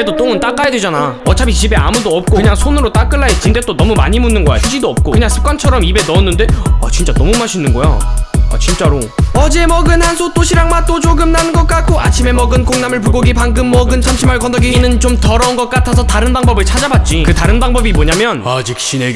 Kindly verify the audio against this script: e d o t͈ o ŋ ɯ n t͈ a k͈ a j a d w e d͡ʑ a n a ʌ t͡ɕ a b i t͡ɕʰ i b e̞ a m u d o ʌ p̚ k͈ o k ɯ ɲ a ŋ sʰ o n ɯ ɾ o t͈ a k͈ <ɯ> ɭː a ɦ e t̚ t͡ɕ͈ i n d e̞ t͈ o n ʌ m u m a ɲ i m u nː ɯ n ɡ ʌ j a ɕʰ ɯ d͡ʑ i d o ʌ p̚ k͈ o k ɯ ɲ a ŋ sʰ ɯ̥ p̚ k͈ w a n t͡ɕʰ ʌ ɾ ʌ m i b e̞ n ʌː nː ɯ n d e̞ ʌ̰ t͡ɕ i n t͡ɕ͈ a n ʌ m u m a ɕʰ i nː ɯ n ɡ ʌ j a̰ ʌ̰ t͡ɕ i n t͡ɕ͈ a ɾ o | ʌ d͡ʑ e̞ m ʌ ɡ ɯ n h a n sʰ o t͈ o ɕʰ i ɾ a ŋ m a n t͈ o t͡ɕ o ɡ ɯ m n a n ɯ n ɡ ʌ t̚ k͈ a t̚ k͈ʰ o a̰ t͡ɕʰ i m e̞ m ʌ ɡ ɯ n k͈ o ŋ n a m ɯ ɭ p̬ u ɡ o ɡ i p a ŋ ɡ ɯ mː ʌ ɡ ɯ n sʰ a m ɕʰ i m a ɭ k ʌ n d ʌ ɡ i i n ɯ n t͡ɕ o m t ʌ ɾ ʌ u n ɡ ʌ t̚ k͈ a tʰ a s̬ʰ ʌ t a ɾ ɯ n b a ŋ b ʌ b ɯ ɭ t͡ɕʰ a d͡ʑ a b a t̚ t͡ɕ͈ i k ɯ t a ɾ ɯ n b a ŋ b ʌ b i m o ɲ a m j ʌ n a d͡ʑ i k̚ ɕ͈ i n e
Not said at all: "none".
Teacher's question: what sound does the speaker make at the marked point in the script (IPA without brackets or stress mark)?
ɯ